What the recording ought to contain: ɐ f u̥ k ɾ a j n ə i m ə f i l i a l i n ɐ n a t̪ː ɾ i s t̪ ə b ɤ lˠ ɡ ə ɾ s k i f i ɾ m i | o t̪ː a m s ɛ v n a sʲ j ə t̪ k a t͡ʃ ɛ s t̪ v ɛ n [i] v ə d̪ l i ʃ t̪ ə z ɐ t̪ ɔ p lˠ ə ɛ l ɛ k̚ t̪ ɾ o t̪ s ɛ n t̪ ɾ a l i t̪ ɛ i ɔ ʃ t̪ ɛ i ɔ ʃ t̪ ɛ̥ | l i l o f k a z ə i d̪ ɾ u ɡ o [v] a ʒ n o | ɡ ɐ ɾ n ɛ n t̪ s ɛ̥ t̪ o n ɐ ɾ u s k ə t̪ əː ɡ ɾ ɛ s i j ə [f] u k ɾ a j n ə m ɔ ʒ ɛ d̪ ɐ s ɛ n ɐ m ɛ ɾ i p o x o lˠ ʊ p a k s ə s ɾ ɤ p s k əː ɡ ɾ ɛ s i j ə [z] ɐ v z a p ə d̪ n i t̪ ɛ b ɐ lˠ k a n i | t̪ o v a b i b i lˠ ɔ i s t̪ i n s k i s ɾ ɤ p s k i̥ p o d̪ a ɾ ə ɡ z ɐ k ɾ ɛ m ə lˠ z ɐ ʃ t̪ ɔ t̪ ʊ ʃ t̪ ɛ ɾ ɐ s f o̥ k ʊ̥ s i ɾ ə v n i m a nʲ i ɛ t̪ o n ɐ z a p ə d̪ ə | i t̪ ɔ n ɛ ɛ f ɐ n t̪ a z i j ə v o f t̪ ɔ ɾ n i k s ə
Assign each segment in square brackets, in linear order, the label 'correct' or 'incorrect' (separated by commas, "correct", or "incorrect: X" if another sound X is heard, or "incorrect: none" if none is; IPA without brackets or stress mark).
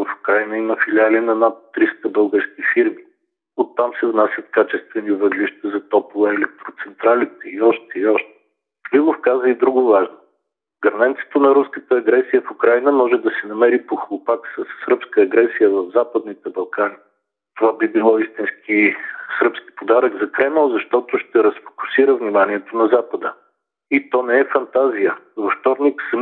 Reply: correct, correct, correct, incorrect: v